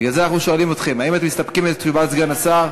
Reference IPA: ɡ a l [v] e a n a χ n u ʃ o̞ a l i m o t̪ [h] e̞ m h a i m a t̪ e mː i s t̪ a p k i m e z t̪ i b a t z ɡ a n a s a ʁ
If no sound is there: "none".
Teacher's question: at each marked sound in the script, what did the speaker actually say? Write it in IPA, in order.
z, χ

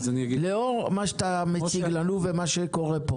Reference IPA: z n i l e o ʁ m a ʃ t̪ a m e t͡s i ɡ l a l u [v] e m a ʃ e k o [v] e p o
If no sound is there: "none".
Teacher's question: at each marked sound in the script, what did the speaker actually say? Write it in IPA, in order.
v, ʁ

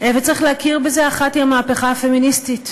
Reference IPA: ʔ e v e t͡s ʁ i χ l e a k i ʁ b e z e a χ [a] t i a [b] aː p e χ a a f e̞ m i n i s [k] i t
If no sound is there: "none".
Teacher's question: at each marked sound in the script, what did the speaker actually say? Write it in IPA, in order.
a, m, t

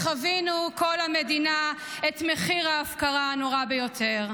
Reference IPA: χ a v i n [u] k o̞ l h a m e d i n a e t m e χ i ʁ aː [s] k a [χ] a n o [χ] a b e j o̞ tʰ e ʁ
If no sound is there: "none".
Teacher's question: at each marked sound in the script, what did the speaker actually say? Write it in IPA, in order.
u, f, ʁ, ʁ

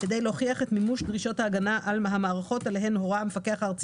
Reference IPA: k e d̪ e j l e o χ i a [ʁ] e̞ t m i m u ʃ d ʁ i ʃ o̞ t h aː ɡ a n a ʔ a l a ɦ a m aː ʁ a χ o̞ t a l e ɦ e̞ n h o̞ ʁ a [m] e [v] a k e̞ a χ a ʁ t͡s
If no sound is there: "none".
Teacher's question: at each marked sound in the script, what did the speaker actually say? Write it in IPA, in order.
χ, m, f

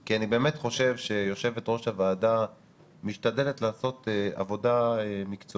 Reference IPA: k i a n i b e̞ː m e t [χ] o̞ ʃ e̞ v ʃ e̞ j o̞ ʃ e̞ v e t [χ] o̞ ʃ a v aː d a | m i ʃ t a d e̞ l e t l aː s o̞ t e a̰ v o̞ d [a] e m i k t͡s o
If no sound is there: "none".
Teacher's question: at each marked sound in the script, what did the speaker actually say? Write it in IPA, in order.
χ, ʁ, a

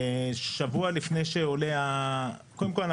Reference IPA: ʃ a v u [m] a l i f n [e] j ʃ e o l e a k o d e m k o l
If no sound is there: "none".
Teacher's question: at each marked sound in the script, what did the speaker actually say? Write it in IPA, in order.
none, e

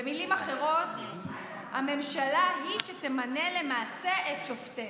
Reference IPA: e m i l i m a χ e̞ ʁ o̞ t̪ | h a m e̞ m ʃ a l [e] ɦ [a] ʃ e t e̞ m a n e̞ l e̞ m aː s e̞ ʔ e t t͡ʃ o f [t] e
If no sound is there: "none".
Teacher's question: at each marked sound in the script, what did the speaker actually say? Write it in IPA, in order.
a, i, t

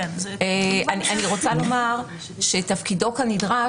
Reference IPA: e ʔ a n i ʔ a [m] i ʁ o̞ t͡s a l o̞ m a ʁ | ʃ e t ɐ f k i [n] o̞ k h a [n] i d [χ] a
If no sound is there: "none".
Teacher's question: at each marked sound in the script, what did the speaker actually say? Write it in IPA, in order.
n, d, n, ʁ

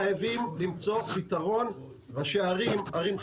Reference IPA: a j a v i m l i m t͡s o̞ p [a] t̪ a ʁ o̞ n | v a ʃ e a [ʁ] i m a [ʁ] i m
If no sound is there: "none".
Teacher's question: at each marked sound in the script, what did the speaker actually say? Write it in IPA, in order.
i, ʁ, ʁ

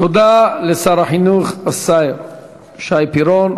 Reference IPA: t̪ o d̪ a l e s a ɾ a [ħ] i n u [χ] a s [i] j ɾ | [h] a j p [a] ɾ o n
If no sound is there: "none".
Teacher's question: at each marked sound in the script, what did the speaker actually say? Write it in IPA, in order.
ħ, χ, a, ʃ, i

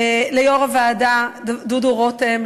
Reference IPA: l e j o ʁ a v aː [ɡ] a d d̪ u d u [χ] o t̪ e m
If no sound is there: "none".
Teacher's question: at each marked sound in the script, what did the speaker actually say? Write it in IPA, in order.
d, ʁ

